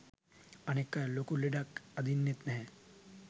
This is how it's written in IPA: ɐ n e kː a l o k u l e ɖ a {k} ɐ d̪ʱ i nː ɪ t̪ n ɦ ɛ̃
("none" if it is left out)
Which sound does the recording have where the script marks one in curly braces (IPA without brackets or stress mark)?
k